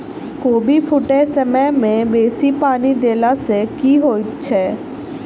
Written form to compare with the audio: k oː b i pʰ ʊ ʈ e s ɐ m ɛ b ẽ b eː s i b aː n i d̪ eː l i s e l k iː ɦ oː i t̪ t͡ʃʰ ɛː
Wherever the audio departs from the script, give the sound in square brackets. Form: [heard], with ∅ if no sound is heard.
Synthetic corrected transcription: k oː b i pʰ ʊ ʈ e s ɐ m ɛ [m] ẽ b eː s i [p] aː n i d̪ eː l [a] s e [∅] k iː ɦ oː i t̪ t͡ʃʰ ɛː